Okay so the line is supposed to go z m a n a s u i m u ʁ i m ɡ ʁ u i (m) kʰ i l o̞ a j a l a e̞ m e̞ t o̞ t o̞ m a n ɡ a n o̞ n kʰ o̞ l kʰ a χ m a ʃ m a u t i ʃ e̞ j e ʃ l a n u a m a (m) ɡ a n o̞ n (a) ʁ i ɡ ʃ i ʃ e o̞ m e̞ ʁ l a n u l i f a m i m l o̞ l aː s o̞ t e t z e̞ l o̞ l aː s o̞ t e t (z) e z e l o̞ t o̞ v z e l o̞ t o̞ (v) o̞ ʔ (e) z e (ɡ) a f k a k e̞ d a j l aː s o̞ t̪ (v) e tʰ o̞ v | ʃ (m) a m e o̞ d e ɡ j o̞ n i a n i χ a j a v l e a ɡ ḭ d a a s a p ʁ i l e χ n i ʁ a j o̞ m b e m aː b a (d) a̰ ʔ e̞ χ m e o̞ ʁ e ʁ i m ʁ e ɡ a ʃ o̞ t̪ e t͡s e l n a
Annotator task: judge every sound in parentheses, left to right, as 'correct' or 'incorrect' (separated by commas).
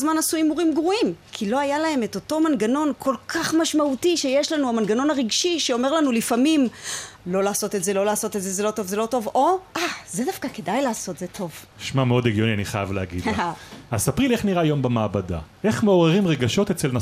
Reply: correct, incorrect, correct, correct, correct, incorrect, incorrect, incorrect, correct, correct